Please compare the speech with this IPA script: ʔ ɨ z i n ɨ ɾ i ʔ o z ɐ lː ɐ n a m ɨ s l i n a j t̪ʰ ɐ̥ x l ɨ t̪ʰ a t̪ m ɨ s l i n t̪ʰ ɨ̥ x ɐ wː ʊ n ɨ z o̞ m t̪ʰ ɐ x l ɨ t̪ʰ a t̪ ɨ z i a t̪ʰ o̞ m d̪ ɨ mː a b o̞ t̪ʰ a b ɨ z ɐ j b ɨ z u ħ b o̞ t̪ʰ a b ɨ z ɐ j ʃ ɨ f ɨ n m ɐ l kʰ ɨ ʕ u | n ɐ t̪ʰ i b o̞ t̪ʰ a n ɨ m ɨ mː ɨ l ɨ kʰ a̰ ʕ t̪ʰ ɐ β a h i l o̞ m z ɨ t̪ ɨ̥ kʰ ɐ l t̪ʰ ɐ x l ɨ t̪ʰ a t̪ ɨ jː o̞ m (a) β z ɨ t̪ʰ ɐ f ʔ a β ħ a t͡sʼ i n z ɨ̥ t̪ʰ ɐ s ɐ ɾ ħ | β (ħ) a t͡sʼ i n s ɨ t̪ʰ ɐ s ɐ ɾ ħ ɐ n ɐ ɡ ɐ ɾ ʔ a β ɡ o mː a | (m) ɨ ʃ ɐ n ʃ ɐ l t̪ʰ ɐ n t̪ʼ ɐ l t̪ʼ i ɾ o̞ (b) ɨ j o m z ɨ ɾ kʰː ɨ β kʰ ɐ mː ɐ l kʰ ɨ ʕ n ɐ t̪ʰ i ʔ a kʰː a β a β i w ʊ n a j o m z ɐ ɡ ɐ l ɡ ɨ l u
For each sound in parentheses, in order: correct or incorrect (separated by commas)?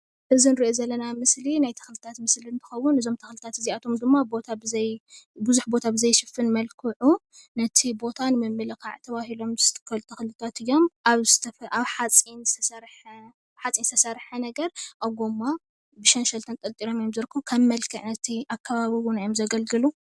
correct, correct, incorrect, incorrect